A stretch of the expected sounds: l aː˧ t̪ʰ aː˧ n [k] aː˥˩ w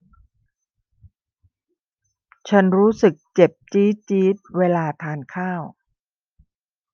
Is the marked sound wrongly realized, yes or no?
yes